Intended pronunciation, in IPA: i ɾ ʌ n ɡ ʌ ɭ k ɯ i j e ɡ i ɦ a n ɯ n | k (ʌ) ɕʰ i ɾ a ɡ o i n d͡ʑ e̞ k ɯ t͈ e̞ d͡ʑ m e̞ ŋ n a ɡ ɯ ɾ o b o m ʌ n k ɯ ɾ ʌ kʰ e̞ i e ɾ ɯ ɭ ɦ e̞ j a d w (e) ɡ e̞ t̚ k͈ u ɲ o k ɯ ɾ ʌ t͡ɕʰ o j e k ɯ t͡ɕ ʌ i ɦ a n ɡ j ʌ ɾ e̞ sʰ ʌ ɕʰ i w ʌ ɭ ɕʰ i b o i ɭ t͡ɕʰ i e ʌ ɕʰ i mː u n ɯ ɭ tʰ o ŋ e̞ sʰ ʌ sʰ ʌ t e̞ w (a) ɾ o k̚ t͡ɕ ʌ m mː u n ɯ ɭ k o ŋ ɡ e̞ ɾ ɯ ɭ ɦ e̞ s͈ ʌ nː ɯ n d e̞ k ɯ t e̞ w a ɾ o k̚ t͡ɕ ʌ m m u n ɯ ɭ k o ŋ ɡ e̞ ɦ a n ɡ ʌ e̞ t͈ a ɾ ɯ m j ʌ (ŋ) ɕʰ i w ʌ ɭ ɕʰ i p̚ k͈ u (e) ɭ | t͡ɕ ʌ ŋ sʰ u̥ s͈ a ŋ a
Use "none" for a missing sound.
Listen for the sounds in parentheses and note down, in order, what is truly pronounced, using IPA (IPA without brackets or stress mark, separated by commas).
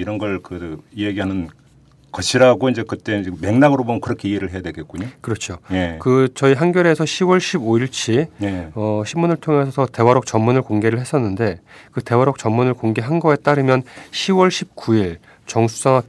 ʌ, e, a, n, i